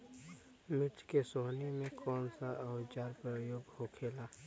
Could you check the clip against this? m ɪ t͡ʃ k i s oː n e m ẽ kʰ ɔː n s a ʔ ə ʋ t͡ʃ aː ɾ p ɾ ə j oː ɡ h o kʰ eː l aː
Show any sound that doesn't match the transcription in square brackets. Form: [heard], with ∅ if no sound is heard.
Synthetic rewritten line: m ɪ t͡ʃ k [e] s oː n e m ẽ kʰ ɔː n s a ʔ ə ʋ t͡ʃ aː ɾ p ɾ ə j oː ɡ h o kʰ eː l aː